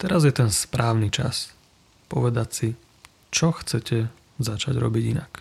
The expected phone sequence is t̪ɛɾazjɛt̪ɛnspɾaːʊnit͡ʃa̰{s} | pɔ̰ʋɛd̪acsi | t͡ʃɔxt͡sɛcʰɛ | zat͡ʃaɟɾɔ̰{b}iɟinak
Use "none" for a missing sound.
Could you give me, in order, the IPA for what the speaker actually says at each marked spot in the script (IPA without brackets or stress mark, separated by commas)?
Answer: s, b